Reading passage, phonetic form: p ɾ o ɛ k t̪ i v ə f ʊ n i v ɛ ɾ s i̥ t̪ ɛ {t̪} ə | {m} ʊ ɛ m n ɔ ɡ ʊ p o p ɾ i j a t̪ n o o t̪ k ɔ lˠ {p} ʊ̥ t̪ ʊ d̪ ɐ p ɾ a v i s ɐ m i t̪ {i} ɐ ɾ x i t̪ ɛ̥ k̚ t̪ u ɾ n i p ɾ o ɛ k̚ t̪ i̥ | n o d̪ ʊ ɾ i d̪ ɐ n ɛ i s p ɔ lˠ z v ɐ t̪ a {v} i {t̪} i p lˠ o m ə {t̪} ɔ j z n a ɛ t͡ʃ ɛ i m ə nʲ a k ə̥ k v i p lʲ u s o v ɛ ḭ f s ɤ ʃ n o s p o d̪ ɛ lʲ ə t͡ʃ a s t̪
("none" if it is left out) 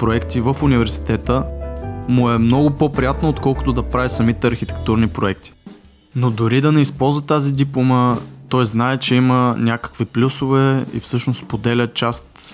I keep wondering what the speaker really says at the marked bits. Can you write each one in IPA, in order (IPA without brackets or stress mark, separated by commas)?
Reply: t̪, m, k, ɛ, z, d̪, t̪